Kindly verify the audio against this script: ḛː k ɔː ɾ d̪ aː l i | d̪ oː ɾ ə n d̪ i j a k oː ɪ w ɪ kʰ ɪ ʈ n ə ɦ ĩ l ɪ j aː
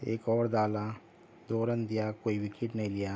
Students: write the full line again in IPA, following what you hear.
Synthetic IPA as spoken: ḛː k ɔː ɾ d̪ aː l a | d̪ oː ɾ ə n d̪ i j a k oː i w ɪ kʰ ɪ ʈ n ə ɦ ĩ l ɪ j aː